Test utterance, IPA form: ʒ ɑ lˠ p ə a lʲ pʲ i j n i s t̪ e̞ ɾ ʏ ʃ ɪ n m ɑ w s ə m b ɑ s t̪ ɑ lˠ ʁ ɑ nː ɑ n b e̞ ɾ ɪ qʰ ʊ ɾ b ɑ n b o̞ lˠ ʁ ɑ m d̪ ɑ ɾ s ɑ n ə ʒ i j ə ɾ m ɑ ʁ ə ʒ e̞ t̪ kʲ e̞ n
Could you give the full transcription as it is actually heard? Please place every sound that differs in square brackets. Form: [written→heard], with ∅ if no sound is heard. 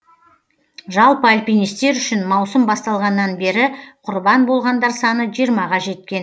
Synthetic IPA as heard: ʒ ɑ lˠ p ə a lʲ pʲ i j n i s t̪ e̞ ɾ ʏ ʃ ɪ n m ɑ w s ə m b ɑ s t̪ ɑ lˠ ʁ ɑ nː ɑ n b e̞ ɾ ɪ qʰ ʊ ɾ b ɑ n b o̞ lˠ ʁ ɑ [m→n] d̪ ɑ ɾ s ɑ n ə ʒ i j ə ɾ m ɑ ʁ [ə→ɑ] ʒ e̞ t̪ kʲ e̞ n